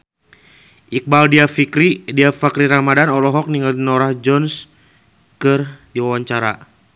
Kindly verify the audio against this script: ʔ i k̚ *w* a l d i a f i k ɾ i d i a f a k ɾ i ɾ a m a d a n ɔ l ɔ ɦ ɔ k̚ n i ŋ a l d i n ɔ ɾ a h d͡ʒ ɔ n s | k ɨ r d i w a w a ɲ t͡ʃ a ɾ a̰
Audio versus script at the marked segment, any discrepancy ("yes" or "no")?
yes